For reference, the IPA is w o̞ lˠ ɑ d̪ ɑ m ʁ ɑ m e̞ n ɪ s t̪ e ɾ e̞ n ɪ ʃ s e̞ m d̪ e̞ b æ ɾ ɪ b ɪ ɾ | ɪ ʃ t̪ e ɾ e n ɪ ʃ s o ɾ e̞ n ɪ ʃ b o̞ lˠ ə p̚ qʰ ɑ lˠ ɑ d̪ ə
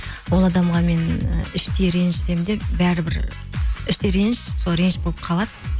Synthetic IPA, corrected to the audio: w o̞ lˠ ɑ d̪ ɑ m ʁ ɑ m e̞ n ɪ ʃ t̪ e ɾ e̞ n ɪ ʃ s e̞ m d̪ e̞ b æ ɾ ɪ b ɪ ɾ | ɪ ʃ t̪ e ɾ e n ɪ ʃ s o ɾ e̞ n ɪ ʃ b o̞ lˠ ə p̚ qʰ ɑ lˠ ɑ d̪ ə